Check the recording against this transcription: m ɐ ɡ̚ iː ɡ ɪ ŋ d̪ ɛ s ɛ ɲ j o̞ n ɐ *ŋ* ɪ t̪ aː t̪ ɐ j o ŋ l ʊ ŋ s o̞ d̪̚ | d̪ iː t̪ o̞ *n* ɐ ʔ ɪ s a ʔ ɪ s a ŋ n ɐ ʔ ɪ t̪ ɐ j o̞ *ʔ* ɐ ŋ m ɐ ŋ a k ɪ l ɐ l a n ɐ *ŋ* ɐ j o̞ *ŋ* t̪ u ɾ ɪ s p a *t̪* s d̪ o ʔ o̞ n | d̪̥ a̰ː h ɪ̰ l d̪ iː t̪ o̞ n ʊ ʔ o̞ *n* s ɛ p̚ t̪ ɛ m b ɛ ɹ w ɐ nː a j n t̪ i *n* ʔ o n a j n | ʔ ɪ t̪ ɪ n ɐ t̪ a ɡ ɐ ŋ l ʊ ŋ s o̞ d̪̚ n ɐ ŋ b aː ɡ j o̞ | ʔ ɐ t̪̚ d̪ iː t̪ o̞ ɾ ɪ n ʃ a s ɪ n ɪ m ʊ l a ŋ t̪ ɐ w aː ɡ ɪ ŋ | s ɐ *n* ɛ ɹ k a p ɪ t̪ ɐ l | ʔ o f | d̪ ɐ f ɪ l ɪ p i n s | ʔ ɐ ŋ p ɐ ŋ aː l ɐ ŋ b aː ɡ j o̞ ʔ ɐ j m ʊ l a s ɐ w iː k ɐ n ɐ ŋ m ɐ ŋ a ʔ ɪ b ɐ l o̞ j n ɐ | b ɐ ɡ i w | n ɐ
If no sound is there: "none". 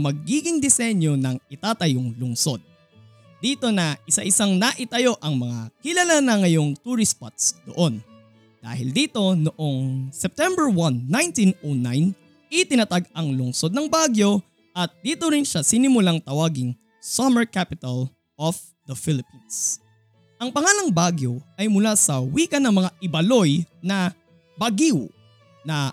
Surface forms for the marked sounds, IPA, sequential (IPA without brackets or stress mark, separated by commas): ŋ, n, ʔ, ŋ, ŋ, t̪, ŋ, n, m